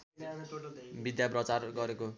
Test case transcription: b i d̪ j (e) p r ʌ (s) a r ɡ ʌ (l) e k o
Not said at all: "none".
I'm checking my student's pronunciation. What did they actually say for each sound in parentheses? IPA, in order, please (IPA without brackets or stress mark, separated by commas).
a, t͡s, ɾ